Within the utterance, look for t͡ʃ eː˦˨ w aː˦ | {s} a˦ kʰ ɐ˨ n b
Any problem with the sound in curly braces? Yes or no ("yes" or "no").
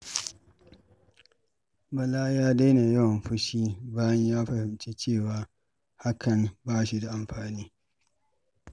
yes